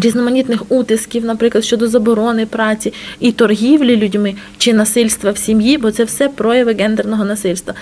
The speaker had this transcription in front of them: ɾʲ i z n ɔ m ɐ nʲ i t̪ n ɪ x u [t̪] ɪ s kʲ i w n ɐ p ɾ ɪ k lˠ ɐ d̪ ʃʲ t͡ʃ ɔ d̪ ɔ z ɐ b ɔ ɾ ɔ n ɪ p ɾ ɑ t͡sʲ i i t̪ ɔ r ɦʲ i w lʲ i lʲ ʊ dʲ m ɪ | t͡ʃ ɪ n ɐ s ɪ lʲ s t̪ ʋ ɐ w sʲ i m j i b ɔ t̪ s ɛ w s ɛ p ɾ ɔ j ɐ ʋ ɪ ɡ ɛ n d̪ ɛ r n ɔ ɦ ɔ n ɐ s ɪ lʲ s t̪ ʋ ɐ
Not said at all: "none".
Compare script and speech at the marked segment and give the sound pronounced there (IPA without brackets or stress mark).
t̪